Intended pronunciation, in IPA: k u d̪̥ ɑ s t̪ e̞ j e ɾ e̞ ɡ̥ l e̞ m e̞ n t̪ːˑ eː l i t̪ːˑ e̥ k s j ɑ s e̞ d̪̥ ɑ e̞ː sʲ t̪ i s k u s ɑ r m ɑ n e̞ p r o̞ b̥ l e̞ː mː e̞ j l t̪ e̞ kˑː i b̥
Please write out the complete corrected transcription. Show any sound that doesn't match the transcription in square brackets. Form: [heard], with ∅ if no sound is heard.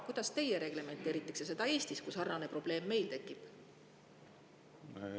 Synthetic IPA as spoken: k u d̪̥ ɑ s t̪ e̞ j e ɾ e̞ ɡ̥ l e̞ m e̞ n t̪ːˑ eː [ɾ] i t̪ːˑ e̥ k s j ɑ s e̞ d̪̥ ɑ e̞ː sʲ t̪ i s k u s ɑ r [n] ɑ n e̞ p r o̞ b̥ l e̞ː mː e̞ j l t̪ e̞ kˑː i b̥